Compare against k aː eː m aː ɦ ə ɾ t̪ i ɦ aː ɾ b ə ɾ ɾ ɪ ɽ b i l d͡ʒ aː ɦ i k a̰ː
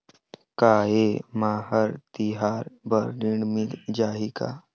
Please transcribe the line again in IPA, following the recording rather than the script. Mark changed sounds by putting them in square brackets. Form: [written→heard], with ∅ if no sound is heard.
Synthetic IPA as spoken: k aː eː m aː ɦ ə ɾ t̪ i ɦ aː ɾ b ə ɾ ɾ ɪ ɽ [b→m] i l d͡ʒ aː ɦ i k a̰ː